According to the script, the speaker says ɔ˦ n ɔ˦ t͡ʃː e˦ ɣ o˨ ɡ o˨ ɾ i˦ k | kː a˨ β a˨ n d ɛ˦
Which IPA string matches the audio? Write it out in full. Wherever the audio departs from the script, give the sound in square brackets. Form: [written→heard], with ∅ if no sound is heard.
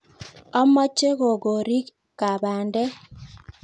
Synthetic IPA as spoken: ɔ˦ [n→m] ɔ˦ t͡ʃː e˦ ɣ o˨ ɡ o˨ ɾ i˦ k | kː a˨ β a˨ n d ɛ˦

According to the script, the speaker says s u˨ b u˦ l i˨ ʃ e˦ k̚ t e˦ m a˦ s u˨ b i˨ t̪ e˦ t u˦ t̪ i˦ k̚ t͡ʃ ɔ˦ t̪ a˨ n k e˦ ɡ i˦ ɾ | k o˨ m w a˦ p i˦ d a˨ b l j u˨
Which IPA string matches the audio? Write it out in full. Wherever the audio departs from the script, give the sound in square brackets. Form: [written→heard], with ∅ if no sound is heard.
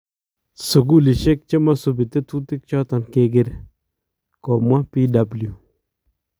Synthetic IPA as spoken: s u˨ [b→ɡ] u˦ l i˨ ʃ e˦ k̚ [t→t͡ʃ] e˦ m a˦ s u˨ b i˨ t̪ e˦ t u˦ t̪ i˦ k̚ t͡ʃ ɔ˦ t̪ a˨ n k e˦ ɡ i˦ ɾ | k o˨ m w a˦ p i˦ d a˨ b l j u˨

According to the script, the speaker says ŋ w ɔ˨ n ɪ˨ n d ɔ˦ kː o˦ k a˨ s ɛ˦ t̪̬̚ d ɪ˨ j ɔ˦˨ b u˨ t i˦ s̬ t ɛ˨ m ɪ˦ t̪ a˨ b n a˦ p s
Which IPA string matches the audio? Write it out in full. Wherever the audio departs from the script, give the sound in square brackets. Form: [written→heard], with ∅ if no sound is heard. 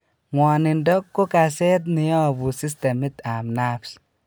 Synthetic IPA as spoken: ŋ w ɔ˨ n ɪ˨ n d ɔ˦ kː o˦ k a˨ s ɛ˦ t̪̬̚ [d→n] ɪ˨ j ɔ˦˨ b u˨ [t→s] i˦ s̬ t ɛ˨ m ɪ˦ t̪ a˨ [b→m] n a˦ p s

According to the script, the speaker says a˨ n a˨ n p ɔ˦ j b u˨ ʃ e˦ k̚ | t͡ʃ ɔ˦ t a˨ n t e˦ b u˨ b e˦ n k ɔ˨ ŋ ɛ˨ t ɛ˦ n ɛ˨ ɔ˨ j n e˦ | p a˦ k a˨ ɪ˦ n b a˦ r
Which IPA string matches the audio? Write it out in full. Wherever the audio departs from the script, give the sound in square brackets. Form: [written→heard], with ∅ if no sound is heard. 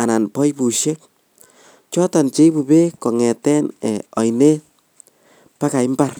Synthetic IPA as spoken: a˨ n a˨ n p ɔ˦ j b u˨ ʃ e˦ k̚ | t͡ʃ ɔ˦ t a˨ n [t→t͡ʃ] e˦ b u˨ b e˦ [n→∅] k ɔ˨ ŋ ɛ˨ t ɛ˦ n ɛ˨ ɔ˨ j n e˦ | p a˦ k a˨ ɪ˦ [n→m] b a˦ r

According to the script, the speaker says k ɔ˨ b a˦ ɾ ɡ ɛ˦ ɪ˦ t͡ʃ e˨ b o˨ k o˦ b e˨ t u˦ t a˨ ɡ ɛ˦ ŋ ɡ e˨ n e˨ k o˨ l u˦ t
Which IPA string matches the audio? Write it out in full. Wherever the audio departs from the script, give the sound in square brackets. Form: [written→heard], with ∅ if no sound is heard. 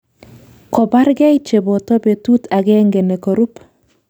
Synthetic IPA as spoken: k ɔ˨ b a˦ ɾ ɡ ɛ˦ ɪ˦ t͡ʃ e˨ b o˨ [k→t] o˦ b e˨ t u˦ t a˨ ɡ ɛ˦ ŋ ɡ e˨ n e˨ k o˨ [l→ɾ] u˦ [t→p]

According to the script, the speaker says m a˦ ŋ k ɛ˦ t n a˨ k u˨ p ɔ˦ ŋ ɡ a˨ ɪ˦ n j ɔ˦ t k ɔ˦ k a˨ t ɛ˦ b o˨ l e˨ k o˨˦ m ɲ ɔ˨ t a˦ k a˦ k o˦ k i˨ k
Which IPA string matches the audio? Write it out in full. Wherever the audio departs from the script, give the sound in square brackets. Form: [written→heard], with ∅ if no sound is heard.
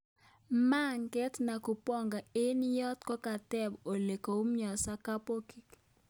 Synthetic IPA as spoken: m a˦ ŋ k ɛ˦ t n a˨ k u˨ p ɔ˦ ŋ ɡ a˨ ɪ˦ n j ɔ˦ t k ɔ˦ k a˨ t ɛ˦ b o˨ l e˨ k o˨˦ m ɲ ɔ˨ [t→s] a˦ k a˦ [k→p] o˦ k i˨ k

